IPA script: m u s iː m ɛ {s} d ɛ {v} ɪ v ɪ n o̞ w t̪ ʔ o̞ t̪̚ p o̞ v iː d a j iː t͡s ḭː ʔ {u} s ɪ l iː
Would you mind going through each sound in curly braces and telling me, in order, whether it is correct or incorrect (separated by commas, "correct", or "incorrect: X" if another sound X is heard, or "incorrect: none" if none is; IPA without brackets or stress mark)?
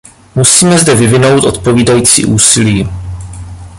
incorrect: z, correct, incorrect: uː